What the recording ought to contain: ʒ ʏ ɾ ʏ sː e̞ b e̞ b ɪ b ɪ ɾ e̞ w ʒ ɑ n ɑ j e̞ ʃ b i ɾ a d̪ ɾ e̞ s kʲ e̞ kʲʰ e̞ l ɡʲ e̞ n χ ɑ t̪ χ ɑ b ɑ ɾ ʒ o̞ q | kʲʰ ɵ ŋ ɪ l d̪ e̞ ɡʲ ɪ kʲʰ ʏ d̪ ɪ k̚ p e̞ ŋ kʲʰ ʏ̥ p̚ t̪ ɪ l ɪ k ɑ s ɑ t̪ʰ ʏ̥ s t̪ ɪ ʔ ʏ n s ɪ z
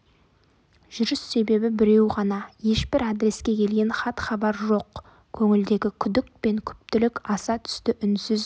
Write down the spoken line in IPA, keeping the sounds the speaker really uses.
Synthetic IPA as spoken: ʒ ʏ ɾ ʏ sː e̞ b e̞ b ɪ b ɪ ɾ e̞ w ʁ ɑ n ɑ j e̞ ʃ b ɪ ɾ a d̪ ɾ e̞ s kʲ e̞ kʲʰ e̞ l ɡʲ e̞ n χ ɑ t̪ χ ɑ b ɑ ɾ ʒ o̞ q | kʲʰ ɵ ŋ ɪ l d̪ e̞ ɡʲ ɪ kʲʰ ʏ d̪ ɪ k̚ p e̞ ŋ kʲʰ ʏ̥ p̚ t̪ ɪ l ɪ k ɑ s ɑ t̪ʰ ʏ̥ s t̪ ɪ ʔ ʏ n s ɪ z

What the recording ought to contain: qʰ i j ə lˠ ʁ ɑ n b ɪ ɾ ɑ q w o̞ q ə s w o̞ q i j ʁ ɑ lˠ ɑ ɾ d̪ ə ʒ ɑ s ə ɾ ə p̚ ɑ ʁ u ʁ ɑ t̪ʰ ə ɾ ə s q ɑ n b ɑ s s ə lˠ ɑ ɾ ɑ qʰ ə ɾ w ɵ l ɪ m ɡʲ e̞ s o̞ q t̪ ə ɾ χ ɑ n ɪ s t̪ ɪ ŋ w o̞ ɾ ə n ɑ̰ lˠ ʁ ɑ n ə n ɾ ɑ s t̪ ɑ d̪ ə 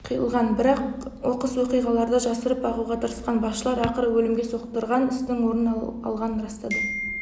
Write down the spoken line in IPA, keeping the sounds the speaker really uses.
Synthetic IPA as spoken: qʰ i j ə lˠ ʁ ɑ n b ɪ ɾ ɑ q w o̞ q ə s w o̞ q i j ʁ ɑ lˠ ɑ ɾ d̪ ə ʒ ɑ s ə ɾ ə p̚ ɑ ʁ u ʁ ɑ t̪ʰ ə ɾ ə s q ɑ n b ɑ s ʃ ə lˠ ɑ ɾ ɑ q ə ɾ w ɵ l ɪ m ɡʲ e̞ s o̞ q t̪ ə ɾ ʁ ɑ n ɪ s t̪ ɪ ŋ w o̞ ɾ ə n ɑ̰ lˠ ʁ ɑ n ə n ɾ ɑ s t̪ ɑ d̪ ə

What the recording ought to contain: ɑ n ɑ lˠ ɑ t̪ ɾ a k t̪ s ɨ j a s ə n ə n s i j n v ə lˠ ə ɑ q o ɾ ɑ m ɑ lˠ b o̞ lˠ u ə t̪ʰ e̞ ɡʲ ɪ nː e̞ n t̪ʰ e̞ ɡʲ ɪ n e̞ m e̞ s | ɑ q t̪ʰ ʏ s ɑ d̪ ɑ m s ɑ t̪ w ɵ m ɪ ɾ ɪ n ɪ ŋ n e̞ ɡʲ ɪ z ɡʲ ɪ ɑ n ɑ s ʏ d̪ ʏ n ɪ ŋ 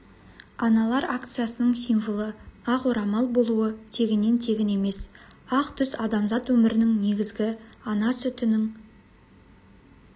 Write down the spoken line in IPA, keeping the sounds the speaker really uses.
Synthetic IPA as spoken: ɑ n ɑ lˠ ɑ ɾ a k t̪ s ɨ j a s ə n ə ɴ s i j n v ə lˠ ə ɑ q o ɾ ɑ m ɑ lˠ b o̞ lˠ u ə t̪ʰ e̞ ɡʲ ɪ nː e̞ n t̪ʰ e̞ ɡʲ ɪ n e̞ m e̞ s | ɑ q t̪ʰ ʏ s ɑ d̪ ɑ m z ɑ t̪ w ɵ m ɪ ɾ ɪ n ɪ ŋ n e̞ ɡʲ ɪ z ɡʲ ɪ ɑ n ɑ s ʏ t̪ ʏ n ɪ ŋ

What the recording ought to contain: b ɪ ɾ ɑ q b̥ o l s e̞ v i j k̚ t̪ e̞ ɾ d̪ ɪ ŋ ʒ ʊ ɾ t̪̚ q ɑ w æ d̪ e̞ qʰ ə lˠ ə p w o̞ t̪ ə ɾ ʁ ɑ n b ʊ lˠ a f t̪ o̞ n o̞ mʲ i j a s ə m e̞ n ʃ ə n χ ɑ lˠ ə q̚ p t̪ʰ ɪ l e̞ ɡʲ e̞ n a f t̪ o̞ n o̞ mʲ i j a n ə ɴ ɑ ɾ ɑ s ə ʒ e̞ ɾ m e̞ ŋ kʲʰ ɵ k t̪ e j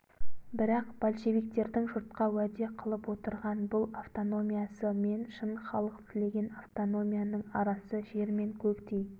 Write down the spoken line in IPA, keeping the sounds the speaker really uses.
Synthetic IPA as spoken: b ɪ ɾ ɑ q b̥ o l ʃ e̞ v i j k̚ t̪ e̞ ɾ d̪ ɪ ŋ ʒ ʊ ɾ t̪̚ q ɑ w æ d̪ e̞ qʰ ə lˠ ə p w o̞ t̪ ə ɾ ʁ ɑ n b ʊ lˠ a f t̪ o̞ n o̞ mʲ i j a s ə m e̞ n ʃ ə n χ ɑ lˠ ə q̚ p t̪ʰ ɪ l e̞ ɡʲ e̞ n a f t̪ o̞ n o̞ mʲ i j a n ə ɴ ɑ ɾ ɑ s ə ʒ e̞ ɾ m e̞ ŋ kʲʰ ɵ k t̪ e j

